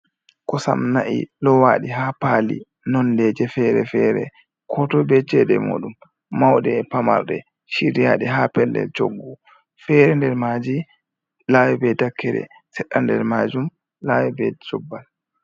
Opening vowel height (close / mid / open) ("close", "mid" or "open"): mid